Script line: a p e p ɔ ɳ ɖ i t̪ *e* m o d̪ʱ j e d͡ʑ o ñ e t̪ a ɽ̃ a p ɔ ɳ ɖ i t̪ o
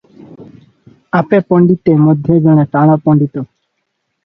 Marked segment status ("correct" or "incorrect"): correct